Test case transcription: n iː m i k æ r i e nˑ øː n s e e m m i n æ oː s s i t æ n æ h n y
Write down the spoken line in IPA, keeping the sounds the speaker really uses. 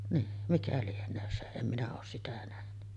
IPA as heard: n iː m i k æ l i e nˑ øː n s e e m m i n æ oː s s i t æ n æ h n y